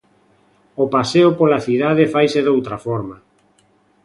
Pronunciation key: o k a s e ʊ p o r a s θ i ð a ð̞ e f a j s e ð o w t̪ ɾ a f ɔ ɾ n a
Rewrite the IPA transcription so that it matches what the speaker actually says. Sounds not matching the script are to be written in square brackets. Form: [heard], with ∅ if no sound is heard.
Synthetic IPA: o [p] a s e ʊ p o [l] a [∅] θ i ð a ð̞ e f a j s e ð o w t̪ ɾ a f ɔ ɾ [m] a